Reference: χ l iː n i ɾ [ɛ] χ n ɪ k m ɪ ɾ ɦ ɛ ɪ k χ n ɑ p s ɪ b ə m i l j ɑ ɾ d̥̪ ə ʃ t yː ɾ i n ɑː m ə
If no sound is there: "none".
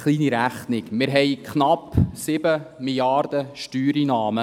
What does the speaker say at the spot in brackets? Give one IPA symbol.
æ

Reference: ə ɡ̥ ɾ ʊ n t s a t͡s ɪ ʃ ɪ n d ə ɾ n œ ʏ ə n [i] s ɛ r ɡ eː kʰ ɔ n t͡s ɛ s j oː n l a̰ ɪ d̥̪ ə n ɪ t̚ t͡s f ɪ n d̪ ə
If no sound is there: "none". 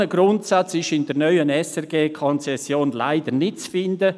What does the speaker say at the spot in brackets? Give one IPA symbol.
ɛ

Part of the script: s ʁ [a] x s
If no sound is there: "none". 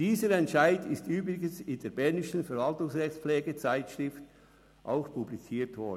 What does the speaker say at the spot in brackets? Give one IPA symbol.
ɛ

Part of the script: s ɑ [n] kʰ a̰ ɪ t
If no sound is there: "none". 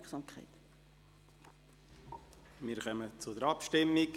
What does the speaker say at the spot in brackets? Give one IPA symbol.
m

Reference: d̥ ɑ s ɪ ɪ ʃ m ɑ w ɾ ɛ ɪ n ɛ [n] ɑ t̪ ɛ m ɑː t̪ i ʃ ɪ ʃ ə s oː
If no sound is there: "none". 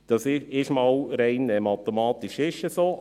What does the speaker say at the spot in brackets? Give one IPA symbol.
m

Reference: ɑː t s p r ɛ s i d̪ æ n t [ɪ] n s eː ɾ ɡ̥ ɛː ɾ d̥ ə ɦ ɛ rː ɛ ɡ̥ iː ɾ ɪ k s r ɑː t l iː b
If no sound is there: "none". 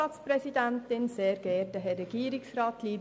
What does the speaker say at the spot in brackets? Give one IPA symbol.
ɪ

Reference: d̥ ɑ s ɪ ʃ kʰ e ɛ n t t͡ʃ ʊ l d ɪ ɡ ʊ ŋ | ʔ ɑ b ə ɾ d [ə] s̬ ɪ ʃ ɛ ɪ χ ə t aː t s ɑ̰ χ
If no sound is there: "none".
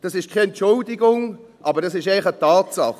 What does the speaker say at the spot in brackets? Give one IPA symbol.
ɑ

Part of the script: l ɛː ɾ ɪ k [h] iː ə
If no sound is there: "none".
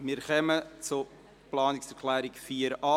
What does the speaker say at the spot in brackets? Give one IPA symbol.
f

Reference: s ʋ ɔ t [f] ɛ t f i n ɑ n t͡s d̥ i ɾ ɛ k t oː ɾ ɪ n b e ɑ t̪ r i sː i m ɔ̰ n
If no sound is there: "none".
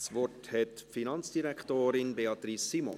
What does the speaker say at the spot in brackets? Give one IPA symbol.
h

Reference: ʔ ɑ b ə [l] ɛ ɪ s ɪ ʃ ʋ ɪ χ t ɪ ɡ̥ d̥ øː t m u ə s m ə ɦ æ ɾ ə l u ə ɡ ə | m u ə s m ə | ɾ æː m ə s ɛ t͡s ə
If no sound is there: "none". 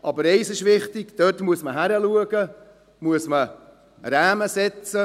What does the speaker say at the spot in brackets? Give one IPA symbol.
ɾ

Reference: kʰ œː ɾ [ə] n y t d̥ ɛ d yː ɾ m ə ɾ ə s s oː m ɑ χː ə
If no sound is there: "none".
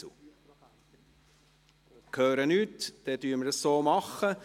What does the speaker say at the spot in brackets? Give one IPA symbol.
ə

